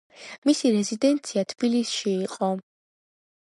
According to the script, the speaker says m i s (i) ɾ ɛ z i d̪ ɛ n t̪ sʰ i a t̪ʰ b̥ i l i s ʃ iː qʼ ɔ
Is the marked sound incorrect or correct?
correct